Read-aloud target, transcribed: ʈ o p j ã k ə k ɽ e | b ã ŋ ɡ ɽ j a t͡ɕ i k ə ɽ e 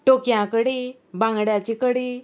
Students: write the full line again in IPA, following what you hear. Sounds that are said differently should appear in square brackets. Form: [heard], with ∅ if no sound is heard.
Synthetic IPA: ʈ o [k] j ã k ə [∅] ɽ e | b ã ŋ ɡ ɽ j a t͡ɕ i k ə ɽ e